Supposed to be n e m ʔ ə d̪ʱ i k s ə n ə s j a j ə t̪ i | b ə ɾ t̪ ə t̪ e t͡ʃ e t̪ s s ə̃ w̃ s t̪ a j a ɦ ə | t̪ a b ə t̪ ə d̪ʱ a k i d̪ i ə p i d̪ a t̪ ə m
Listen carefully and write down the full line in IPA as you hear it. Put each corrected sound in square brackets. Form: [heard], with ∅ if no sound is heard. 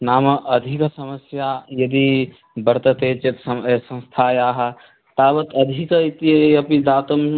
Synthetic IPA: n [a] m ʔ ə d̪ʱ i k s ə [m] ə s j a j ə [d̪] i | b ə ɾ t̪ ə t̪ e t͡ʃ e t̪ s s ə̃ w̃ s [t̪ʰ] a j a ɦ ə | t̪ a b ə t̪ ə d̪ʱ [i] k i [t̪] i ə p i d̪ a t̪ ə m